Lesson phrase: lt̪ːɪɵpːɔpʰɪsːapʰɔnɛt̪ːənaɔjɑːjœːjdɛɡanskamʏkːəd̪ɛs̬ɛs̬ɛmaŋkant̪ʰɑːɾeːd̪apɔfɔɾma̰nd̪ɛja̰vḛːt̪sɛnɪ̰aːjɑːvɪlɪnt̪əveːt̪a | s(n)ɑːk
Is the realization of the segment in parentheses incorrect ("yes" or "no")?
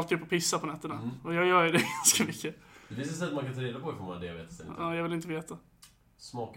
yes